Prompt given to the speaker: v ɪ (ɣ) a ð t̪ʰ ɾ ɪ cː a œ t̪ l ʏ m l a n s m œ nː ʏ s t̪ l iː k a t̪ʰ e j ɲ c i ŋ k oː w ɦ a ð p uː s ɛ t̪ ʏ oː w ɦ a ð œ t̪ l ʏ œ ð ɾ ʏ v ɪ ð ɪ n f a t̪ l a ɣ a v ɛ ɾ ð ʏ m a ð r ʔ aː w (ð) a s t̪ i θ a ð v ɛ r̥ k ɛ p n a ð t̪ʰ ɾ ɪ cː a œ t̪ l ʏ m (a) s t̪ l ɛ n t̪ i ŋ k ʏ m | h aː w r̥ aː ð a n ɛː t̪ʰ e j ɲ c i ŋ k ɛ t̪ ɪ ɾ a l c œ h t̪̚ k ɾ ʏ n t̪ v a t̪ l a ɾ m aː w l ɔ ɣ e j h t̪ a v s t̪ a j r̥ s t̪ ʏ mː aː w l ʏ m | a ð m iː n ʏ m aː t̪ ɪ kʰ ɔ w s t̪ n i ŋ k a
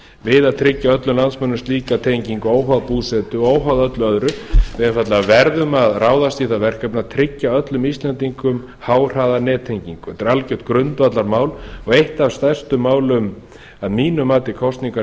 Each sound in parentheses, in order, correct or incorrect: incorrect: ð, correct, incorrect: i

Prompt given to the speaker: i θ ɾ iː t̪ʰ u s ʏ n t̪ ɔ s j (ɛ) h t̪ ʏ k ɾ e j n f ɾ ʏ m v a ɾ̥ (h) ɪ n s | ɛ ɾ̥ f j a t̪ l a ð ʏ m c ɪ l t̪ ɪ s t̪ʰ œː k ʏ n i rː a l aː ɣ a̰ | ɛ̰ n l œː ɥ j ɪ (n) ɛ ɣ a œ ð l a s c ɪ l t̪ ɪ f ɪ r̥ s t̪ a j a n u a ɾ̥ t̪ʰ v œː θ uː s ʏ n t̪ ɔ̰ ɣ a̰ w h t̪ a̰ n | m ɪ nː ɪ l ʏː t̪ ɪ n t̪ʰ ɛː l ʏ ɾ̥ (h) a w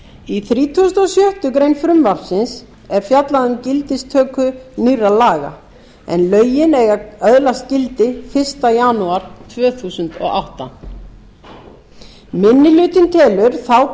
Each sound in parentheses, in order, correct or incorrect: incorrect: œ, incorrect: s, correct, incorrect: θ

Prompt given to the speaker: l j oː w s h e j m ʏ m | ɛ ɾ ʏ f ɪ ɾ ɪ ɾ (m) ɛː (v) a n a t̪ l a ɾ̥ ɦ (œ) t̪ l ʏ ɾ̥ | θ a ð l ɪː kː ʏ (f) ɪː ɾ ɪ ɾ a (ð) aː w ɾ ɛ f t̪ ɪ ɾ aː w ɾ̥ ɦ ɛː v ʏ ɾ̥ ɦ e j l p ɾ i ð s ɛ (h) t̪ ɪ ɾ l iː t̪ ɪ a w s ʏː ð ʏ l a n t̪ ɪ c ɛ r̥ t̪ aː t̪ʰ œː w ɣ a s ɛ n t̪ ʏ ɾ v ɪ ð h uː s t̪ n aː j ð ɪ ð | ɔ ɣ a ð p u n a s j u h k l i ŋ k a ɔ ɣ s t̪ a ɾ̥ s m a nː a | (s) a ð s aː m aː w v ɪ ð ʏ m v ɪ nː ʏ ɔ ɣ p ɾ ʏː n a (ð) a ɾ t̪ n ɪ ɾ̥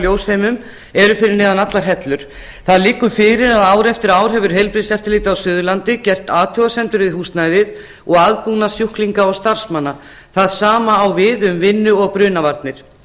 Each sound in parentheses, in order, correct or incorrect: incorrect: n, incorrect: ð, incorrect: ɛ, correct, correct, incorrect: f, incorrect: θ, incorrect: v

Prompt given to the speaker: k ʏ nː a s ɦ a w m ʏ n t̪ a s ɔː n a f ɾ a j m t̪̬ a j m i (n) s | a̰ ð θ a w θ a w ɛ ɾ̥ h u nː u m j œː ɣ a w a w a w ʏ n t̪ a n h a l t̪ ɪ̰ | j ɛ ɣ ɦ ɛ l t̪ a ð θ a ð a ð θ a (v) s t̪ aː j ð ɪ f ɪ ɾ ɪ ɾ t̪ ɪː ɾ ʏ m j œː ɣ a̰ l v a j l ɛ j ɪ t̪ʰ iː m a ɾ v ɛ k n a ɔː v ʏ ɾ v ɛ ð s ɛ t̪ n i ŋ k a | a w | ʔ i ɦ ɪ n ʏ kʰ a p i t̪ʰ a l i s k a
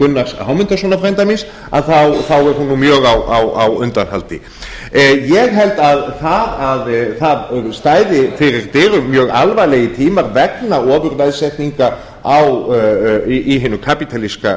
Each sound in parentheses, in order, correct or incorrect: correct, incorrect: ð

